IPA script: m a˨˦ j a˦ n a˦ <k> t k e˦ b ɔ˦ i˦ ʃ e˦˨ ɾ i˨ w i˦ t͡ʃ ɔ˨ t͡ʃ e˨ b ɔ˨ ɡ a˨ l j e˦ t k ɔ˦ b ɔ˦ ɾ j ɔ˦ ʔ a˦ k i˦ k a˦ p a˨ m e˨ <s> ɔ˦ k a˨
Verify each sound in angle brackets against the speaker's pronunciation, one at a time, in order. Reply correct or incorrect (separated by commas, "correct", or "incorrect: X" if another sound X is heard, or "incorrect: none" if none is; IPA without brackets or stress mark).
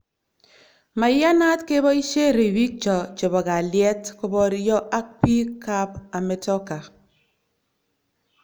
incorrect: none, incorrect: t